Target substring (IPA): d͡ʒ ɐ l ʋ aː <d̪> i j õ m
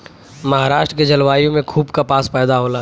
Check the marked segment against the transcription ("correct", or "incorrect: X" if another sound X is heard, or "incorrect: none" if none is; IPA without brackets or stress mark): incorrect: none